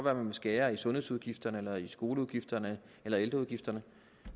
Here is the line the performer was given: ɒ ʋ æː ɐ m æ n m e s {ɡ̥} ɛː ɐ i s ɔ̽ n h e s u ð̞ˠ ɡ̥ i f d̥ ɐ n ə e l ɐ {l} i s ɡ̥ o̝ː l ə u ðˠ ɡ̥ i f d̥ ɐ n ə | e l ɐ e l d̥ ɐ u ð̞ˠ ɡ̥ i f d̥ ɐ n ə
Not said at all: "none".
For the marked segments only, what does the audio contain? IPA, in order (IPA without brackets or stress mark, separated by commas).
ɡ̥, none